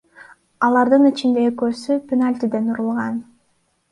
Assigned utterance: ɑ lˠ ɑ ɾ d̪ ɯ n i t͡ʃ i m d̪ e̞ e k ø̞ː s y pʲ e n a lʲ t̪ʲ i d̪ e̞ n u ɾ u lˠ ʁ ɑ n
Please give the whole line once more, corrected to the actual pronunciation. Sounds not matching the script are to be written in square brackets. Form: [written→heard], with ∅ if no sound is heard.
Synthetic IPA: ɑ lˠ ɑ ɾ d̪ ɯ n i t͡ʃ i [m→n] d̪ e̞ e k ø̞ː s y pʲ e n a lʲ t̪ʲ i d̪ e̞ n u ɾ u lˠ ʁ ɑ n